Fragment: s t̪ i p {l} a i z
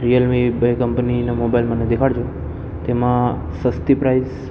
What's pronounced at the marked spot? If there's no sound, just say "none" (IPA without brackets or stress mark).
ɾ